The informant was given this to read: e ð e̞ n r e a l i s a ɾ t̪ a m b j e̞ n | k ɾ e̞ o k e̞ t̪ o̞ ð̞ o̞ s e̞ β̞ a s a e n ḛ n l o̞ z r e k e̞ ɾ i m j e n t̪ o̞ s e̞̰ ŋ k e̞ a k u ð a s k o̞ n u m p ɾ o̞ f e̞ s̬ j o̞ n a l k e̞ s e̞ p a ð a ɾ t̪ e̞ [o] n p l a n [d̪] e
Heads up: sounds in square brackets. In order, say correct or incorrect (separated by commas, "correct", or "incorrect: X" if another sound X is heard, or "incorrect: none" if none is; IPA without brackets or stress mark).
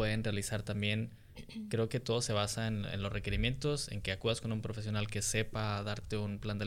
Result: incorrect: u, correct